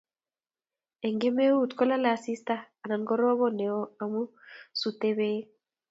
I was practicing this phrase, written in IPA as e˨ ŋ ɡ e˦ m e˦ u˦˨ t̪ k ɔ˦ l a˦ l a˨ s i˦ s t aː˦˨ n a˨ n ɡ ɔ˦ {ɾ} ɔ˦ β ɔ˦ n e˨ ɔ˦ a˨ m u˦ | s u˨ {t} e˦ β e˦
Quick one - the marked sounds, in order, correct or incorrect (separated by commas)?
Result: correct, correct